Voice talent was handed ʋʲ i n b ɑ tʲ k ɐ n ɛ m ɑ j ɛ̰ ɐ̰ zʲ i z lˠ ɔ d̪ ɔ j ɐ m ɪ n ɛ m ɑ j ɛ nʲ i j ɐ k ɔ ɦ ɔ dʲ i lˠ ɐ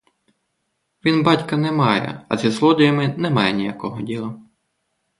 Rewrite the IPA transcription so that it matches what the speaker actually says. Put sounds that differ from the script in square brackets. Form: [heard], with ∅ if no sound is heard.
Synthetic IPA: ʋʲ i n b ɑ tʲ k ɐ n ɛ m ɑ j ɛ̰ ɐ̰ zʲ i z lˠ ɔ d̪ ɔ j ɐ m ɪ n ɛ m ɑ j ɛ nʲ i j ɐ k ɔ ɦ ɔ dʲ i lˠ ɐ